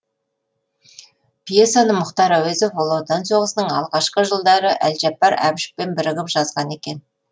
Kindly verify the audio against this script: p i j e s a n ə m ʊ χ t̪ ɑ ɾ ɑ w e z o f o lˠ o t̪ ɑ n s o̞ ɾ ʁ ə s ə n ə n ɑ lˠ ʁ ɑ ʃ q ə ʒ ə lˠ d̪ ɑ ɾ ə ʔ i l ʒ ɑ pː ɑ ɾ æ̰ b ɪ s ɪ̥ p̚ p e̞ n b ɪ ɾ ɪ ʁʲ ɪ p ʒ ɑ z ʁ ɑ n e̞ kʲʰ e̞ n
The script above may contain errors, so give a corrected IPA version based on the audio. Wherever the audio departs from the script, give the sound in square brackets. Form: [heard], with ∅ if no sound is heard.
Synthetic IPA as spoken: p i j e s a n ə m ʊ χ t̪ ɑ ɾ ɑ w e z o f o lˠ o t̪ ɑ n s o̞ [∅] ʁ ə s ə n ə [ɴ] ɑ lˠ ʁ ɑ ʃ q ə ʒ ə lˠ d̪ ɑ ɾ ə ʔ [æ] l ʒ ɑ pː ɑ ɾ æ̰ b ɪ [ʃ] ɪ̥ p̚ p e̞ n b ɪ ɾ ɪ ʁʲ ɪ p ʒ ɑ z ʁ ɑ n e̞ [kʲ] e̞ n